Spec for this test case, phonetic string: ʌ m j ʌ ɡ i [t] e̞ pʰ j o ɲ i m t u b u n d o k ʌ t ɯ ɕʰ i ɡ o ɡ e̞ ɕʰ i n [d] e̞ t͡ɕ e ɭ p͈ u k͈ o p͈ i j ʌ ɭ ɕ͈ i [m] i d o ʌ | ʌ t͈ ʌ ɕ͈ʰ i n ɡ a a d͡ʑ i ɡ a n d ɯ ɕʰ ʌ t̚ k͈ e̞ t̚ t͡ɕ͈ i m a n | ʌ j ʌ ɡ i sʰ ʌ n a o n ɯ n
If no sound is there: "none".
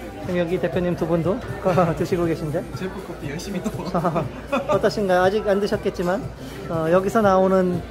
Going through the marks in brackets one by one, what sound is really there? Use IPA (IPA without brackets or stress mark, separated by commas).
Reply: t, d, m